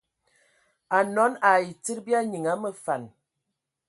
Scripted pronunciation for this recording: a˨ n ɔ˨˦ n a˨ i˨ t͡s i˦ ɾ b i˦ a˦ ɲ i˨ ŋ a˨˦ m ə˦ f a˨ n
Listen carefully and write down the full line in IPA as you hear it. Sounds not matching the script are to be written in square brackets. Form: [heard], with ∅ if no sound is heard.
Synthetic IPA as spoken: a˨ n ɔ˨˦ n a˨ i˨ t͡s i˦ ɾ b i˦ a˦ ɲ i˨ ŋ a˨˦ m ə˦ f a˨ n